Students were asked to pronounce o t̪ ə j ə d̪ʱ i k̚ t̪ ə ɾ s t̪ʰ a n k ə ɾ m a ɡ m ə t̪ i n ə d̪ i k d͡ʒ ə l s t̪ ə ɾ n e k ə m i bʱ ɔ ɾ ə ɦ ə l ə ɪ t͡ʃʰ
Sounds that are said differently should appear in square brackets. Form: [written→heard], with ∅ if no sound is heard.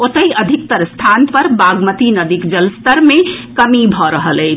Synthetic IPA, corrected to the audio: o t̪ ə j ə d̪ʱ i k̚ t̪ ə ɾ s t̪ʰ a n [k→p] ə ɾ [m→b] a ɡ m ə t̪ i n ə d̪ i k d͡ʒ ə l s t̪ ə ɾ [n→m] e k ə m i bʱ ɔ ɾ ə ɦ ə l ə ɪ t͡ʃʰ

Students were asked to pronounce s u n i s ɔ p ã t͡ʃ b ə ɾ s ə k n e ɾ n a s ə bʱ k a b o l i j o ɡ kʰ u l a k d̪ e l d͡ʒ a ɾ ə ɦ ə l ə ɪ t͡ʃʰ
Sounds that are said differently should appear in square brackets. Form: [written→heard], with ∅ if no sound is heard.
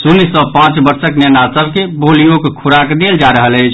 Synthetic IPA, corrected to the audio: s u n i s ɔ p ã t͡ʃ b ə ɾ s ə k n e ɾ n a s ə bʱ k [a→e] b o l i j o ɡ kʰ u [l→ɾ] a k d̪ e l d͡ʒ a ɾ ə ɦ ə l ə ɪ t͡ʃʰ

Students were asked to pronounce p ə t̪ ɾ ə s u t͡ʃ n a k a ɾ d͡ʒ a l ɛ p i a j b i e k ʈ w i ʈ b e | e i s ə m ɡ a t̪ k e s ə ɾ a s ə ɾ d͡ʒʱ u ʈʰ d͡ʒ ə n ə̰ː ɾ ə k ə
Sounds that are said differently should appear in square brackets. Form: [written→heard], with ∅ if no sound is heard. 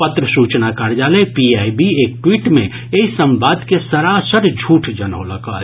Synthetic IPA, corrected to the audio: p ə t̪ ɾ ə s u t͡ʃ n a k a ɾ d͡ʒ a l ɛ p i a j b i e k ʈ w i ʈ [b→m] e | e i s ə m [ɡ→b] a [t̪→d̪] k e s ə ɾ a s ə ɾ d͡ʒʱ u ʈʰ d͡ʒ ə n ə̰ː [ɾ→l] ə k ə

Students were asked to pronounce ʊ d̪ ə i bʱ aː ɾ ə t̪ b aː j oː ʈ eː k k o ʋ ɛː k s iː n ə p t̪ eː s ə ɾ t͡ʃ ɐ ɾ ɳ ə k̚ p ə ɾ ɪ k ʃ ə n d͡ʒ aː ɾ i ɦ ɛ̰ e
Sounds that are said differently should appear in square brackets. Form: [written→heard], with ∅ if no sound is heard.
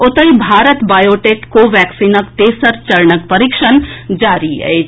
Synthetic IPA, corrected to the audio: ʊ [d̪→t̪] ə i bʱ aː ɾ ə t̪ b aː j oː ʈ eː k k o ʋ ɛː k s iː n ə [p→k] t̪ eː s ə ɾ t͡ʃ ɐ ɾ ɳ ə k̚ p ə ɾ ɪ k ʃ ə n d͡ʒ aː ɾ i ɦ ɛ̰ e

